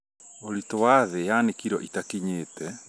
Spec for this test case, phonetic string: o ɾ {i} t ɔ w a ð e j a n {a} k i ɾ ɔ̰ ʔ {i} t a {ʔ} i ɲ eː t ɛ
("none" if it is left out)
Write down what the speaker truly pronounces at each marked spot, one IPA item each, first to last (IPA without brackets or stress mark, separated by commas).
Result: i, e, i, k